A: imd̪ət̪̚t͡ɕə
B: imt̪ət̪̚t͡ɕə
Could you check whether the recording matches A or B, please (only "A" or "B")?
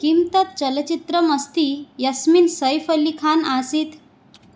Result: B